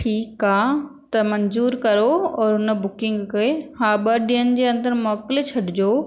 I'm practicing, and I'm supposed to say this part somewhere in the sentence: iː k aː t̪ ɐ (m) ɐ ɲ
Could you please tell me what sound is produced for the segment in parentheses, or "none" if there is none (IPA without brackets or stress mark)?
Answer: m